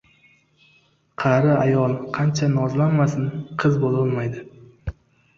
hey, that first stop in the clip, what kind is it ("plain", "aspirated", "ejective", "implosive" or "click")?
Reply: aspirated